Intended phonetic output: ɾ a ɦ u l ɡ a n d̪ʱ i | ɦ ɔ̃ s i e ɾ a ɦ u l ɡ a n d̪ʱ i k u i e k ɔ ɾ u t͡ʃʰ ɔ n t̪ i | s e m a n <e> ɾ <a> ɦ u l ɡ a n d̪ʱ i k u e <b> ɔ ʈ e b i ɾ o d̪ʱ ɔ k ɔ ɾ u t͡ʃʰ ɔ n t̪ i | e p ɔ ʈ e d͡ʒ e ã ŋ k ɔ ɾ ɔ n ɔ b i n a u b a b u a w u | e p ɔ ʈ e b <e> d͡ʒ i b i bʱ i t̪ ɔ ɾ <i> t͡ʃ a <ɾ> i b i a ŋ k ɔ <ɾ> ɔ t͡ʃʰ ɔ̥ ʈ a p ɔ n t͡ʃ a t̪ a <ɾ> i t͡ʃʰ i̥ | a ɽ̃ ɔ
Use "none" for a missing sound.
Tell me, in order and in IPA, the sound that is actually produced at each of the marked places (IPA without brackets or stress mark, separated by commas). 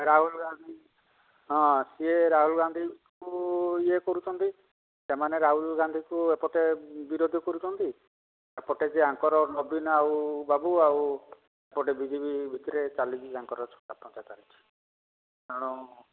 e, a, p, i, e, l, ɾ, ɾ